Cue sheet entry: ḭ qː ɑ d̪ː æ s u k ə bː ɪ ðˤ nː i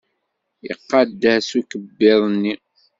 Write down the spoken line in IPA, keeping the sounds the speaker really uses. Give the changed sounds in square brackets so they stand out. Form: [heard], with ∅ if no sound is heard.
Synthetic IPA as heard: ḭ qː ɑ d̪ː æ s u k ə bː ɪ ðˤ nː i